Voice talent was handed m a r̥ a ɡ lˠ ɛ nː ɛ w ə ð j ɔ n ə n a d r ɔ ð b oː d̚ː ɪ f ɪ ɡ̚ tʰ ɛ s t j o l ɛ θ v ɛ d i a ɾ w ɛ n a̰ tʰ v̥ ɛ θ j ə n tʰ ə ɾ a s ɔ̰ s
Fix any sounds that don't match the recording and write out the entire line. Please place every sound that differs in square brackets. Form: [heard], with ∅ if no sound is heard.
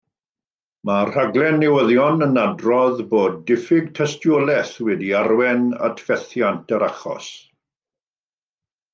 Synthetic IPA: m a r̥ a ɡ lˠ ɛ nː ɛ w ə ð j ɔ n ə n a d r ɔ ð b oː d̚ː ɪ f ɪ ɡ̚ tʰ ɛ s t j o l ɛ θ [w] ɛ d i a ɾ w ɛ n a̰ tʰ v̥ ɛ θ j [a] n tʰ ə ɾ a [χ] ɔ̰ s